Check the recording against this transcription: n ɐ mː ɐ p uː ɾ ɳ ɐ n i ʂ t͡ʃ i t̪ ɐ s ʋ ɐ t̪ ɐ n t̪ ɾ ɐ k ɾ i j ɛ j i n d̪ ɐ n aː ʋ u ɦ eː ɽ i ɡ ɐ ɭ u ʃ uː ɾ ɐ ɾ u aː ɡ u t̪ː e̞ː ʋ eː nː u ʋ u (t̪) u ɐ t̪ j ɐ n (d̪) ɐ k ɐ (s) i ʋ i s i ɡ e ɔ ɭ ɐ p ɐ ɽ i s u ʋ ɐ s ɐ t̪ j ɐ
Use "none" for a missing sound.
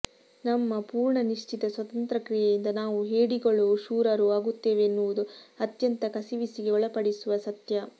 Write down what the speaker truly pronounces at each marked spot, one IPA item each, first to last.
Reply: d̪, t̪, s

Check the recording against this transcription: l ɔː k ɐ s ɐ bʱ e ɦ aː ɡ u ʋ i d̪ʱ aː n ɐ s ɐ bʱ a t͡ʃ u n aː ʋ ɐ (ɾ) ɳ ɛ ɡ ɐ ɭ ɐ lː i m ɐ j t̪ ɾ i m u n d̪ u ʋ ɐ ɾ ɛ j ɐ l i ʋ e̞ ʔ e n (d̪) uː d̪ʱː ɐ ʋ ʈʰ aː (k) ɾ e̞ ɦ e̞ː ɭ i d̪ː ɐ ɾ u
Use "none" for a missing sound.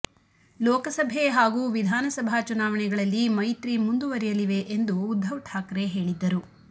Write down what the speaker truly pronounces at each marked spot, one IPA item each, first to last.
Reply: none, d̪, k

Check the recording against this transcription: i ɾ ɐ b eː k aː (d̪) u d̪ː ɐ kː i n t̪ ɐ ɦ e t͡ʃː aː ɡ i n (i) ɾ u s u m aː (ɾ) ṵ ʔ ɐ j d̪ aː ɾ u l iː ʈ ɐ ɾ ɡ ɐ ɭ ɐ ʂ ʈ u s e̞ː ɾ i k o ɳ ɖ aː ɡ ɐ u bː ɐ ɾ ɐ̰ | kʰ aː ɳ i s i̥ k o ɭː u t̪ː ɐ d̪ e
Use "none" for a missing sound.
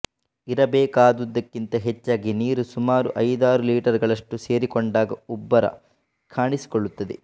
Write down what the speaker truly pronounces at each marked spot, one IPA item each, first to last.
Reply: d̪, iː, ɾ

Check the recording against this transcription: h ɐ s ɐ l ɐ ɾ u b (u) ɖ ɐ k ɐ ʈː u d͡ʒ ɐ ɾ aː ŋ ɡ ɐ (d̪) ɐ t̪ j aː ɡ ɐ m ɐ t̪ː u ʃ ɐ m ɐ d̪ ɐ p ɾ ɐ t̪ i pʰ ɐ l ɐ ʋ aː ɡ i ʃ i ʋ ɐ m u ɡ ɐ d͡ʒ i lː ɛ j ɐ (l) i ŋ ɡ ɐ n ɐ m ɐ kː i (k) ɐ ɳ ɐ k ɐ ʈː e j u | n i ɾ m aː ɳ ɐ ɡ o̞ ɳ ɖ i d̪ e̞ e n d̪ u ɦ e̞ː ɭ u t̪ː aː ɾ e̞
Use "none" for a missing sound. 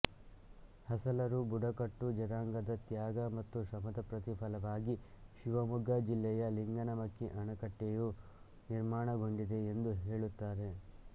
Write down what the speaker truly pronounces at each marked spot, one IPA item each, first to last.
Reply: u, d̪, l, ʔ

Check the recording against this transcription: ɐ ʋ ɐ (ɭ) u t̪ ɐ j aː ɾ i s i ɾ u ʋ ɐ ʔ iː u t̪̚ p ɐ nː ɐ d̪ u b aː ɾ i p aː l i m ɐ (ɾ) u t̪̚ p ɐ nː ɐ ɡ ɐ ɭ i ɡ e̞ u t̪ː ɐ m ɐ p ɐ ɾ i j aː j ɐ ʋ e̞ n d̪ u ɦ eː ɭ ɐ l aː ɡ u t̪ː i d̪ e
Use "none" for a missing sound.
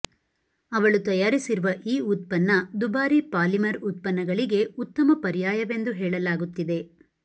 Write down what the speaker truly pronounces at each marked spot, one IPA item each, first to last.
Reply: ɭ, ɾ

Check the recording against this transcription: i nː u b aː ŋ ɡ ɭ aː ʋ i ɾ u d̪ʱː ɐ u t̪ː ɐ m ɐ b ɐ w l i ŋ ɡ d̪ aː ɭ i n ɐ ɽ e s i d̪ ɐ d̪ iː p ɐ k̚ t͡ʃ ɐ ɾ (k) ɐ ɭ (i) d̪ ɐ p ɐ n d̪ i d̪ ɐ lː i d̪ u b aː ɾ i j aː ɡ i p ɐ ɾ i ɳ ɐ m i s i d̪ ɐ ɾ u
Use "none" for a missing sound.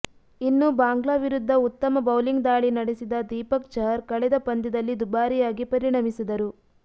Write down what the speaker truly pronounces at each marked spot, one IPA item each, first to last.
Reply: k, ɛ

